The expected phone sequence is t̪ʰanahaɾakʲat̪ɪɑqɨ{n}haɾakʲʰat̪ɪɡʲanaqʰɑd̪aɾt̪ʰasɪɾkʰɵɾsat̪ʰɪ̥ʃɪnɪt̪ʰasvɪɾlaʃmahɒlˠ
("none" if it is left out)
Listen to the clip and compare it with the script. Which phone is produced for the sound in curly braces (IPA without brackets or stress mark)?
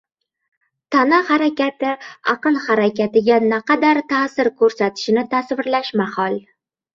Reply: n